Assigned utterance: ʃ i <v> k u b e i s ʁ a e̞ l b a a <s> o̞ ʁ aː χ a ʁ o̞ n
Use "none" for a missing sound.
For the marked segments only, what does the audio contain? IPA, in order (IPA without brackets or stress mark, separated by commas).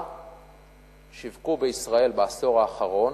v, s